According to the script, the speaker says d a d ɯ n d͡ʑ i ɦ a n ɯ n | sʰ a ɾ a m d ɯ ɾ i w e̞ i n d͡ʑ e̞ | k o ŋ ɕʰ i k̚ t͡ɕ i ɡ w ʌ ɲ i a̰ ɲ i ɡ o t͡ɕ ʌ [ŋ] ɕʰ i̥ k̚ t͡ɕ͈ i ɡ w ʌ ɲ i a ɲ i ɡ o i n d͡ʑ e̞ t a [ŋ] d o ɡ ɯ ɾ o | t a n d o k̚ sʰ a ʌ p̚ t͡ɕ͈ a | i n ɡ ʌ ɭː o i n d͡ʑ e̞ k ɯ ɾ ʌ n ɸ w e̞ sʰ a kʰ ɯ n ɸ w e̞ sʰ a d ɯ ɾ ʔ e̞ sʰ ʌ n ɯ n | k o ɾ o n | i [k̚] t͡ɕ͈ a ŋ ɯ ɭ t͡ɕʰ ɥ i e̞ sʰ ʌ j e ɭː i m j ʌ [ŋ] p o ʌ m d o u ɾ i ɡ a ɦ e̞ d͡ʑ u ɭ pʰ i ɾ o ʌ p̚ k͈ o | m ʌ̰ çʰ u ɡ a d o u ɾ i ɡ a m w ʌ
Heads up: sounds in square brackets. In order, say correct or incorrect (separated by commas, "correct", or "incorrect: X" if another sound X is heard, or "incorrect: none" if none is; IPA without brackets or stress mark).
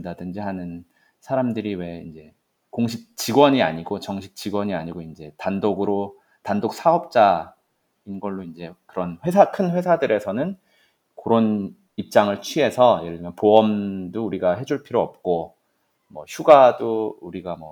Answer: correct, incorrect: n, incorrect: p̚, incorrect: n